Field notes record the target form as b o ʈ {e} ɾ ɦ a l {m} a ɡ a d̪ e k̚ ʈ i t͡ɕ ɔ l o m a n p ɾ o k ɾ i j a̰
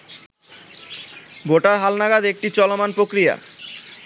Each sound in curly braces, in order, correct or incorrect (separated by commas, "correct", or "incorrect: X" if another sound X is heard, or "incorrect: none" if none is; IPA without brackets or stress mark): incorrect: a, incorrect: n